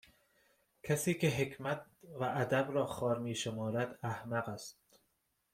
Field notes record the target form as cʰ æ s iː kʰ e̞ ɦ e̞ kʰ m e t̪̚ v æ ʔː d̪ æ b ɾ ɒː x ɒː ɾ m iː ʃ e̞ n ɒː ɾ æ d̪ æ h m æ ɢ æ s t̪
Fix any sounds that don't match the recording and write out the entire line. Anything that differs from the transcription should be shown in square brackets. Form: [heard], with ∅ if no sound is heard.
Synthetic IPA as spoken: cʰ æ s iː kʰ e̞ ɦ e̞ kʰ m [æ] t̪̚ v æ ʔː d̪ æ b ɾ ɒː x ɒː ɾ m iː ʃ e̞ [m] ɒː ɾ æ d̪ æ h m æ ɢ æ s t̪

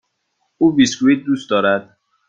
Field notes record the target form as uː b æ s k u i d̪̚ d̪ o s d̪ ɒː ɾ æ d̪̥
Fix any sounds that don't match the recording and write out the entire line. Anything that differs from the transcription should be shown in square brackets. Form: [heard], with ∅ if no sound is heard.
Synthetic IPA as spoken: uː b [i] s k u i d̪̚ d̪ [u] s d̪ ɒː ɾ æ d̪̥

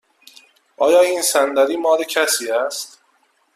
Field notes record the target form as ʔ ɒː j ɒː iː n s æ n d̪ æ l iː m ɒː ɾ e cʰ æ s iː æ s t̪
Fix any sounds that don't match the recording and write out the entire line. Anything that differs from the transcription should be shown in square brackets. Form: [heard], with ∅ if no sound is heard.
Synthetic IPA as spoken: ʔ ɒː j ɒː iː n s æ n d̪ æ [ɾ] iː m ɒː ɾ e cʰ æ s iː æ s t̪

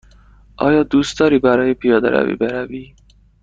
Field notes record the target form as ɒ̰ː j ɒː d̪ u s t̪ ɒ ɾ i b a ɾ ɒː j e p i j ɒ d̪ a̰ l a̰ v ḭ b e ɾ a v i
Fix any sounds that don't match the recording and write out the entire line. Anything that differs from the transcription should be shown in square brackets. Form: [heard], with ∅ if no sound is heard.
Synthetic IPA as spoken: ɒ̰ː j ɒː d̪ u s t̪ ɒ ɾ i b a ɾ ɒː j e p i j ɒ d̪ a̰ [ɾ] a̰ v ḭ b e ɾ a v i

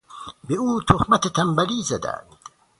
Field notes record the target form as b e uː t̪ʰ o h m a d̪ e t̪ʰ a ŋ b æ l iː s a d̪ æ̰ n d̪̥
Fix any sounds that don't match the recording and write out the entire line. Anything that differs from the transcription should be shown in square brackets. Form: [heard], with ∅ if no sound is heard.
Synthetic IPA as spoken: b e uː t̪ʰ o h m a [t̪] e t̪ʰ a [m] b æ l iː [z] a d̪ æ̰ n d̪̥

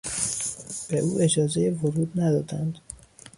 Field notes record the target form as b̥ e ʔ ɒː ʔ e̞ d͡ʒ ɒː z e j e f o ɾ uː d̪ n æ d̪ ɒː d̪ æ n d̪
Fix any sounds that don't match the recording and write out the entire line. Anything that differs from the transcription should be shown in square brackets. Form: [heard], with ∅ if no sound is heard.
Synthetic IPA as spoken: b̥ e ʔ [uː] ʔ e̞ d͡ʒ ɒː z e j e [v] o ɾ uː d̪ n æ d̪ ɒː d̪ æ n d̪

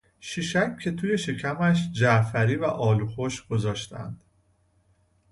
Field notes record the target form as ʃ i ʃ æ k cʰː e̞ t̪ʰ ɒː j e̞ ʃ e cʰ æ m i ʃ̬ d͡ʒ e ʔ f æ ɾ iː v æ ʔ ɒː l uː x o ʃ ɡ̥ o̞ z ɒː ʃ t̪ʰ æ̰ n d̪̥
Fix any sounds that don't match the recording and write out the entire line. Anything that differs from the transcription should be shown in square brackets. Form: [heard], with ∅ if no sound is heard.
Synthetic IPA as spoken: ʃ i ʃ æ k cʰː e̞ t̪ʰ [uː] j e̞ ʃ e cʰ æ m [æ] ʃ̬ d͡ʒ [æ] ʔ f æ ɾ iː v æ ʔ ɒː l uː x o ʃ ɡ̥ o̞ z ɒː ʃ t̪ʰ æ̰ n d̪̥

